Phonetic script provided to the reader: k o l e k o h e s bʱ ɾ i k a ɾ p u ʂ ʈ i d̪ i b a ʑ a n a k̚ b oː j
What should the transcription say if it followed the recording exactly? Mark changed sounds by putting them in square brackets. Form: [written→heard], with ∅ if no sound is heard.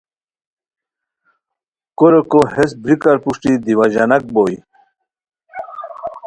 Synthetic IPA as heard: k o [l→ɾ] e k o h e s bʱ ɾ i k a ɾ p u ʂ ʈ i d̪ i [b→w] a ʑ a n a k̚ b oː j